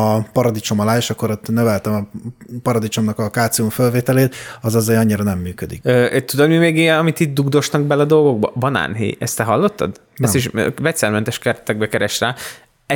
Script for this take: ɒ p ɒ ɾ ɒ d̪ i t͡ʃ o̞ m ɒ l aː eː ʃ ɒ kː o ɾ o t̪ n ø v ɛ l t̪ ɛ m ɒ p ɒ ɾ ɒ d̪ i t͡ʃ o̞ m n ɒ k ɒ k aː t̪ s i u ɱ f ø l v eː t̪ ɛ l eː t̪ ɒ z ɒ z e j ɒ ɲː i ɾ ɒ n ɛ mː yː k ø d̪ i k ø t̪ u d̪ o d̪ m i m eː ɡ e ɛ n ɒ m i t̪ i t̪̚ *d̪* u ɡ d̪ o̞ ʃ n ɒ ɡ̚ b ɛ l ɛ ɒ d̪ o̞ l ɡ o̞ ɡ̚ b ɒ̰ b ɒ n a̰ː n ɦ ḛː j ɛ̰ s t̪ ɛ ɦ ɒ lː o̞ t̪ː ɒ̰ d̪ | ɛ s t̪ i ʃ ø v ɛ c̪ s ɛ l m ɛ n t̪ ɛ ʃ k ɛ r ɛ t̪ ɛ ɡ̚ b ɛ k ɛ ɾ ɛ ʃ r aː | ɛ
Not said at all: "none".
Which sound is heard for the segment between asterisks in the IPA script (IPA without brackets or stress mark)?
d̪